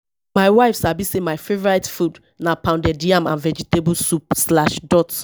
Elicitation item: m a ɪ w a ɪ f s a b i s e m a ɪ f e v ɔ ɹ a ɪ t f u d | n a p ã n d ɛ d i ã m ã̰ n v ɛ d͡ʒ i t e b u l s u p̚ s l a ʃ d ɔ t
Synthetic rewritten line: m a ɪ w a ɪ f s a b i s e m a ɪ f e v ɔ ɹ a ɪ t f u d | n a p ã n d ɛ d i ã m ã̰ n v ɛ d͡ʒ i t e b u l s u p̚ s l a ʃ d ɔ t